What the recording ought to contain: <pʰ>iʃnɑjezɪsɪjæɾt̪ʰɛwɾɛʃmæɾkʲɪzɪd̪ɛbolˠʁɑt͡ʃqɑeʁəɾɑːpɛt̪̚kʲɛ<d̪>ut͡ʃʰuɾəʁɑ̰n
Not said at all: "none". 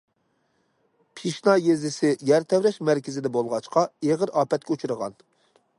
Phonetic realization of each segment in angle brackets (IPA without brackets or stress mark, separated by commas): pʰ, none